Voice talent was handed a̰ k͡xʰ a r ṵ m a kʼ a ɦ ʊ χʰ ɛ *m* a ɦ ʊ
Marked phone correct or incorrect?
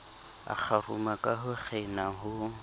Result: incorrect: n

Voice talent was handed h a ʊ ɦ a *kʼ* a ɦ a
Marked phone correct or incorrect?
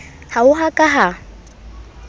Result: correct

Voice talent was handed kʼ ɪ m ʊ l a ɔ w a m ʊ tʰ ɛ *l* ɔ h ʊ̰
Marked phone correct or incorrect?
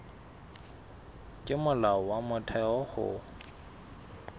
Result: incorrect: none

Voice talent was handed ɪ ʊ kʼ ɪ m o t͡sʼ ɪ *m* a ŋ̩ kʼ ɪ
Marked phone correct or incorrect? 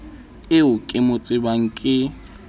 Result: incorrect: b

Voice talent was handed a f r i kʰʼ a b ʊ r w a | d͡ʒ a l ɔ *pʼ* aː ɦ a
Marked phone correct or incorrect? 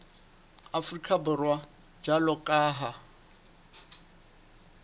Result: incorrect: kʼ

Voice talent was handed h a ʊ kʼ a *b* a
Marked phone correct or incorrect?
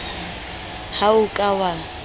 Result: incorrect: w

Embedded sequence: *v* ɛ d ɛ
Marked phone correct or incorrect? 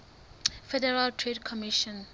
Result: incorrect: f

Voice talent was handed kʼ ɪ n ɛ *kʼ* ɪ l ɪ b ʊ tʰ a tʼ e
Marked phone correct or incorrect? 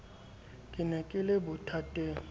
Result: correct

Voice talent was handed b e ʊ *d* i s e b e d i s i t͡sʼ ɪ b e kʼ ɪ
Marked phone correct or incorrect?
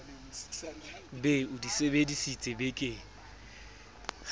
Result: correct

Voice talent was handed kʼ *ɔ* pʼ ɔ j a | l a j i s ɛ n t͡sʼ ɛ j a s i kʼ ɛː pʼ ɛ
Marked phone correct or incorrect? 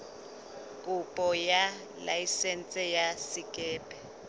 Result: incorrect: u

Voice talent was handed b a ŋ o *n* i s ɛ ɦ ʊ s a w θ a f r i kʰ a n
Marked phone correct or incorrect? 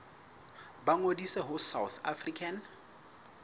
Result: incorrect: d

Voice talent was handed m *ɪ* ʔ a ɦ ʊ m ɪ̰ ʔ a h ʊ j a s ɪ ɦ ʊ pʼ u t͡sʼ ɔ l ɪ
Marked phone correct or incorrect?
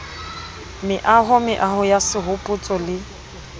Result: correct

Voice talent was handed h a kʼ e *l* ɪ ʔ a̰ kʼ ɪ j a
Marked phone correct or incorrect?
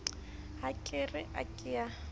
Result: incorrect: r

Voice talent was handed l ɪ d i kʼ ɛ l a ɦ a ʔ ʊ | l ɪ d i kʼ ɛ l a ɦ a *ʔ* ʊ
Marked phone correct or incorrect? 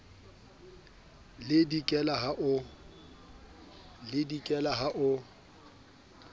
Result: correct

